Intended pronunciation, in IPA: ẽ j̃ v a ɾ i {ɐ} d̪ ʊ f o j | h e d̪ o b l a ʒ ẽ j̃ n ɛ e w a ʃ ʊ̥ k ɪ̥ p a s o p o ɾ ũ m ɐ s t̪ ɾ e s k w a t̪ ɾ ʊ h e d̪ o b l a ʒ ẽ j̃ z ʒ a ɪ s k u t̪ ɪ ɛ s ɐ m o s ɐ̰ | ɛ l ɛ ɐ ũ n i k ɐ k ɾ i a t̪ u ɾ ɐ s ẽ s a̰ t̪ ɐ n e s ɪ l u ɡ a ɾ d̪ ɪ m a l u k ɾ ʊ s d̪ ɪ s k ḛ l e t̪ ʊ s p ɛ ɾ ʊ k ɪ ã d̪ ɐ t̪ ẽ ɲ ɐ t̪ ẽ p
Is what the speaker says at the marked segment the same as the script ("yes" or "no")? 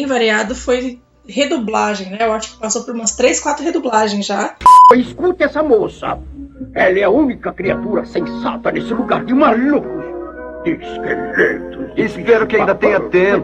no